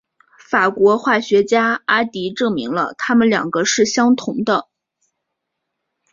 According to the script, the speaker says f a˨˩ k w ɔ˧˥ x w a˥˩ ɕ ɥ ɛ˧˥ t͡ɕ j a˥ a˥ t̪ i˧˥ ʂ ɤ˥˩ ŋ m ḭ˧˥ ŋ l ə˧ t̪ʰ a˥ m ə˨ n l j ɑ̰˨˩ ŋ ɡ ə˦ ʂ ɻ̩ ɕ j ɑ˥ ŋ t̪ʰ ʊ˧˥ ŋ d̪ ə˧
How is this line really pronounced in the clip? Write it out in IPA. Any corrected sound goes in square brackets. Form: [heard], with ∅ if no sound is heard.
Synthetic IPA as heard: f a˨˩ k w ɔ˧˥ x w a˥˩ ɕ ɥ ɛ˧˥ t͡ɕ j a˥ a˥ t̪ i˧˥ [ʈ͡ʂ] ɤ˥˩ ŋ m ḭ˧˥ ŋ l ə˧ t̪ʰ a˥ m ə˨ n l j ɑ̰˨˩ ŋ ɡ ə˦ ʂ ɻ̩ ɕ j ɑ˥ ŋ t̪ʰ ʊ˧˥ ŋ d̪ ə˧